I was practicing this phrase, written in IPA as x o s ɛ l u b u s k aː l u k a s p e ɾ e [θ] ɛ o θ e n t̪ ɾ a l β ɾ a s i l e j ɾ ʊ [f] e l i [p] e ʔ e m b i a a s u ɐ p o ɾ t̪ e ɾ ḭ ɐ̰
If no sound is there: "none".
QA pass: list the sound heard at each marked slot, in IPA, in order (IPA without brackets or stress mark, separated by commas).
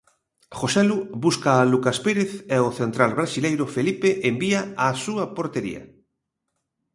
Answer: θ, f, p